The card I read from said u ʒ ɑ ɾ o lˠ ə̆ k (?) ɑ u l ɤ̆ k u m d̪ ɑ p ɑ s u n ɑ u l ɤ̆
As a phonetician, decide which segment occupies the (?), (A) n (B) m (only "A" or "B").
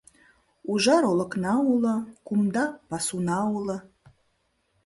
A